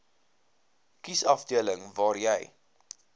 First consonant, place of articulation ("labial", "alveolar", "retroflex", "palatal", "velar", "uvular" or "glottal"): velar